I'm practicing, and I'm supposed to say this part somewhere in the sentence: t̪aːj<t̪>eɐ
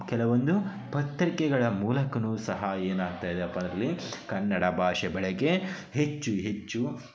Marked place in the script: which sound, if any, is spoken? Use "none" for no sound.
d̪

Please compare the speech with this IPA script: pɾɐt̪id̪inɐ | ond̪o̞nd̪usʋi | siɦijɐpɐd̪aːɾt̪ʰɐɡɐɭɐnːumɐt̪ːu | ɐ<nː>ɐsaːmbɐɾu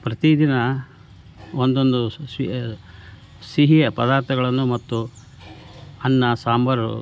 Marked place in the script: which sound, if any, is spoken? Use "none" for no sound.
nː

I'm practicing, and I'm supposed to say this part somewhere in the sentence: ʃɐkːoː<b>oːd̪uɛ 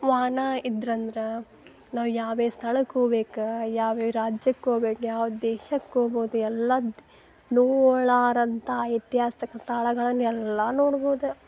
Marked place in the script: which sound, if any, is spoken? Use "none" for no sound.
b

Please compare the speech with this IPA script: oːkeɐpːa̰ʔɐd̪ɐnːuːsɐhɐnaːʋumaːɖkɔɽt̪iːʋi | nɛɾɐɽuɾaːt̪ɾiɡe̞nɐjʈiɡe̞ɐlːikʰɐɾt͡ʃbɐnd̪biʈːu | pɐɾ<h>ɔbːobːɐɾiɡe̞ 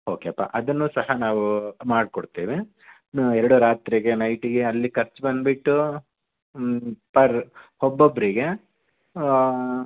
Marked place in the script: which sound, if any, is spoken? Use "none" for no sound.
h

